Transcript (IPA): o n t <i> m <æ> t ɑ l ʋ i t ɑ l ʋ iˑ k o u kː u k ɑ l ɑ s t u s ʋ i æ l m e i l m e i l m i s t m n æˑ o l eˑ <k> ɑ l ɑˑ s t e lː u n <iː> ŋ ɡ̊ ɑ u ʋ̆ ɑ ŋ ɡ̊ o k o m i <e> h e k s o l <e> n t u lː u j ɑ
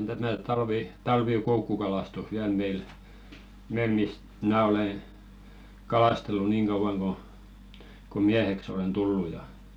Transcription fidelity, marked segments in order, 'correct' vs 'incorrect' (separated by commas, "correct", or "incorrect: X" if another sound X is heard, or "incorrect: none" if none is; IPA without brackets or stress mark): incorrect: æ, correct, correct, correct, incorrect: æ, correct